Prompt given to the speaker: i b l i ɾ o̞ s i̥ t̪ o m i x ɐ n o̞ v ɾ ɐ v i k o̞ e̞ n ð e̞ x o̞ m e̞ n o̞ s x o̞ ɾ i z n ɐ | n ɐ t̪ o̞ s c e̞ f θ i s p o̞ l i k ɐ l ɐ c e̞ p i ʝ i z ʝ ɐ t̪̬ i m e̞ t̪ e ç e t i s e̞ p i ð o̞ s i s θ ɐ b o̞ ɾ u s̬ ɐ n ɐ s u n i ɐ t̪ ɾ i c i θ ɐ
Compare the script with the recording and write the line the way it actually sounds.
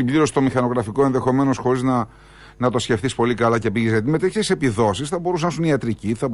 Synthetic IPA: i b l i ɾ o̞ s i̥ t̪ o m i x ɐ n o̞ ɣ ɾ ɐ f i k o̞ e̞ n ð e̞ x o̞ m e̞ n o̞ s x o̞ ɾ i z n ɐ | n ɐ t̪ o̞ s c e̞ f θ i s p o̞ l i k ɐ l ɐ c e̞ p i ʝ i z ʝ ɐ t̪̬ i m e̞ t̪ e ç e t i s e̞ p i ð o̞ s i s θ ɐ b o̞ ɾ u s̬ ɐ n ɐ s u n i ɐ t̪ ɾ i c i θ ɐ